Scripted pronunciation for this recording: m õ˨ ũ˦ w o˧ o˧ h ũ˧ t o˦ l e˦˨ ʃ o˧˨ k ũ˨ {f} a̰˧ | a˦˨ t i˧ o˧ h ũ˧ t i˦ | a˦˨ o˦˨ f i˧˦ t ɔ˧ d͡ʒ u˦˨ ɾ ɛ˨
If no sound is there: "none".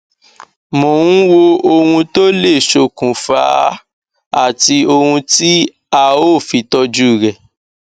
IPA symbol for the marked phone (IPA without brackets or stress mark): f